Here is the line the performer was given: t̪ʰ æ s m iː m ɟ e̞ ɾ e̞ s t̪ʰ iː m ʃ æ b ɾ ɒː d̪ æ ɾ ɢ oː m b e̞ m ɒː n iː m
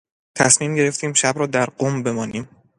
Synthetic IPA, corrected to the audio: t̪ʰ æ s m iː m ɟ e̞ ɾ e̞ f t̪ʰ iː m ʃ æ b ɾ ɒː d̪ æ ɾ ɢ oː m b e̞ m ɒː n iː m